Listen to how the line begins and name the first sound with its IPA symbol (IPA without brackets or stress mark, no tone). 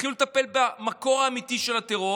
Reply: i